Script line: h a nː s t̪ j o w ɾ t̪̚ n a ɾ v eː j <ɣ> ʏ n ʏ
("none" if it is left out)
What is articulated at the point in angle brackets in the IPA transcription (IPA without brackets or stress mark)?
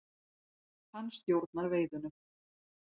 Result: ð